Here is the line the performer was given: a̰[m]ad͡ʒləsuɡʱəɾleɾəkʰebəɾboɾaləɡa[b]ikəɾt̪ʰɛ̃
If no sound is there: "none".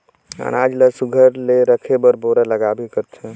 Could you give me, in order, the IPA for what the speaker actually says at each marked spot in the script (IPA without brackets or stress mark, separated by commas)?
n, b